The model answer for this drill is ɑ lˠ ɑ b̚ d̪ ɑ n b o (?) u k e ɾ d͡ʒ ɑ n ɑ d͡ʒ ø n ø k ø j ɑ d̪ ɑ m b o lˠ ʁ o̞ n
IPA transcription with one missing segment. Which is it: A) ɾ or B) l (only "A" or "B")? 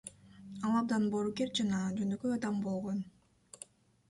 A